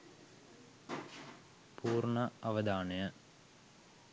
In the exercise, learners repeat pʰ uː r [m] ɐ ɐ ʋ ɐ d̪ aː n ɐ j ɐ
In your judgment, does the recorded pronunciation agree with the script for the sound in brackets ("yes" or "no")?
no